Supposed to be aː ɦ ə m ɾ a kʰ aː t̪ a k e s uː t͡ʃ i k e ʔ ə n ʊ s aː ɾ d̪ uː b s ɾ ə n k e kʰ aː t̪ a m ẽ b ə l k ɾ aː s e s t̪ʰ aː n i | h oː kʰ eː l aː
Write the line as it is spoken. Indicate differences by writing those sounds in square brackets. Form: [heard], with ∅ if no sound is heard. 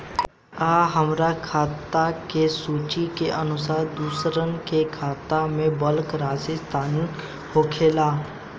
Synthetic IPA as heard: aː ɦ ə m ɾ a kʰ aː t̪ a k e s uː t͡ʃ i k e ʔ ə n ʊ s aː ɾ d̪ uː [∅] s ɾ ə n k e kʰ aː t̪ a m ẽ b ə l k ɾ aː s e s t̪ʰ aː n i | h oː kʰ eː l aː